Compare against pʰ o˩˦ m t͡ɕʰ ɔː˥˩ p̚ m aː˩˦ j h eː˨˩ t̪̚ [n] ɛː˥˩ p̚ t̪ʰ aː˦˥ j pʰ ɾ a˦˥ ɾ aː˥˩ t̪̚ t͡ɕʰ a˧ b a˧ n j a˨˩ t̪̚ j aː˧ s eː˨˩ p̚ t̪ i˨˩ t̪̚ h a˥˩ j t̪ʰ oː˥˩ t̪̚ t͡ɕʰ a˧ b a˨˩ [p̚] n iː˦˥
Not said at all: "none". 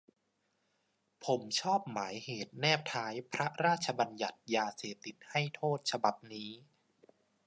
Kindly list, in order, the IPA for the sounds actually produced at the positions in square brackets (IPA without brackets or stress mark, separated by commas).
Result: n, p̚